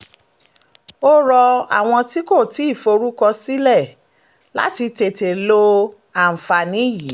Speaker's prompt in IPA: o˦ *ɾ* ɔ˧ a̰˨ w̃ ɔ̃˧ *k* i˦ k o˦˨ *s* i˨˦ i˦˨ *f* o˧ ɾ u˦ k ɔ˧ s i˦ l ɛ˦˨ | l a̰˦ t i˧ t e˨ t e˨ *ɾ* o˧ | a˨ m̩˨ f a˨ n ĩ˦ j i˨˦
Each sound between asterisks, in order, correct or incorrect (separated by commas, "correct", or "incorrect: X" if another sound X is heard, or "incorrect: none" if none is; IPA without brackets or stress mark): correct, incorrect: t, incorrect: t, correct, incorrect: l